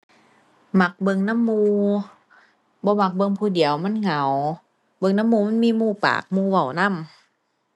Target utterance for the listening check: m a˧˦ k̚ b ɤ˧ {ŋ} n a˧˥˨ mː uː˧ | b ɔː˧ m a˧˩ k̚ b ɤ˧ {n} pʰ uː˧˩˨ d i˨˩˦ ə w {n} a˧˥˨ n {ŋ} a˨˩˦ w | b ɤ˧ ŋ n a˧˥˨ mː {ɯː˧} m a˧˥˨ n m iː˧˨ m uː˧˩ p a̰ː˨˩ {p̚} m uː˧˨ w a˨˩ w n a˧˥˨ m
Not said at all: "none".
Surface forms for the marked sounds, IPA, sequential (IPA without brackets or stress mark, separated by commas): ŋ, ŋ, m, ŋ, uː˧, k̚